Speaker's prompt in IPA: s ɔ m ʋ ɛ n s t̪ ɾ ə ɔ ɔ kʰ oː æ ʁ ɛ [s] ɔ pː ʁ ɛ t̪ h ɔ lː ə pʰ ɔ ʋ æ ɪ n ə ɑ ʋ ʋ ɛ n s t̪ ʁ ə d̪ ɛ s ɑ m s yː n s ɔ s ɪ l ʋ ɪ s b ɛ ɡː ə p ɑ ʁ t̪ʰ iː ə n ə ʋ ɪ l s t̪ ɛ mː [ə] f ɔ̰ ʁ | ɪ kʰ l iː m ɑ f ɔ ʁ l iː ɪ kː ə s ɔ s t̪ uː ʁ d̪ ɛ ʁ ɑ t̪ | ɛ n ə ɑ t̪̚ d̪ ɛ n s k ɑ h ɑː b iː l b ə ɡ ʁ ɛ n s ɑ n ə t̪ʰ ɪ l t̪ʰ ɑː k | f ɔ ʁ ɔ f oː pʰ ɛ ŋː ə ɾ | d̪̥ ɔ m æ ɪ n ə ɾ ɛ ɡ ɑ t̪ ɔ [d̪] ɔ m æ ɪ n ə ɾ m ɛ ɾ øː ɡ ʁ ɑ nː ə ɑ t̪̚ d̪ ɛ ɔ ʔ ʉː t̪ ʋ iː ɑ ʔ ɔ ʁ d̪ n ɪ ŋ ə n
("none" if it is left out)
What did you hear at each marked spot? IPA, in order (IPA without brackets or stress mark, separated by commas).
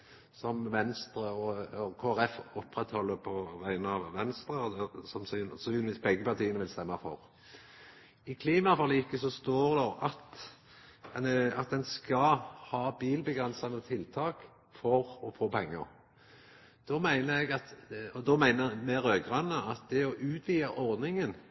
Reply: f, ɑ, d̪